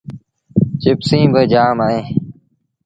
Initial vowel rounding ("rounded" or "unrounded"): unrounded